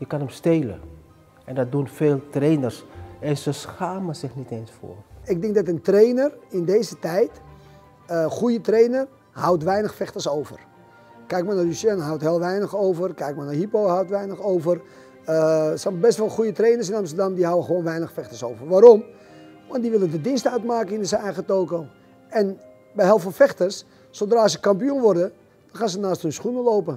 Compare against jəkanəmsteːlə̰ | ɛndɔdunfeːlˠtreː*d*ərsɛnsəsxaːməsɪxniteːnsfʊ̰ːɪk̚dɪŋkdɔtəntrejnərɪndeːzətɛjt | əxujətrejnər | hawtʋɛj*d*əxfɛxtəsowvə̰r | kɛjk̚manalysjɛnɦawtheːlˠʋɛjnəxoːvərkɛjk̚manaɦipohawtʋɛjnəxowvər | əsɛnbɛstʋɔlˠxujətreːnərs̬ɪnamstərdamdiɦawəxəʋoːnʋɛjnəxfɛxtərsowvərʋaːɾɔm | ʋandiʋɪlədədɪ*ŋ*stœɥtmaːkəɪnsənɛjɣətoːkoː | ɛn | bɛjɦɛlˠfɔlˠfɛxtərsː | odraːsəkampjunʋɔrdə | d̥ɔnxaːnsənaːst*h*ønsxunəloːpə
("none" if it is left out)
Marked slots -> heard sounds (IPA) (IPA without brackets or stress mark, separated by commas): n, n, n, h